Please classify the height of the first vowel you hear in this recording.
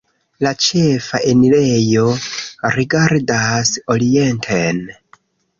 low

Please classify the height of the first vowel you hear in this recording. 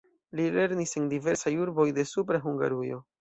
high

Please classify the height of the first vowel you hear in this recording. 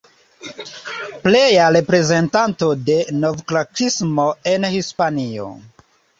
mid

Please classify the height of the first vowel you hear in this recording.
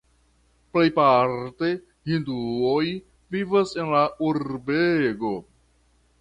mid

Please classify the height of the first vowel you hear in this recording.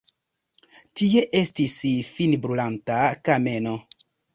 high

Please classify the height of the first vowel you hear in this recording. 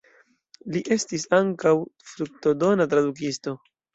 high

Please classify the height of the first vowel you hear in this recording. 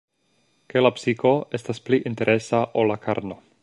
mid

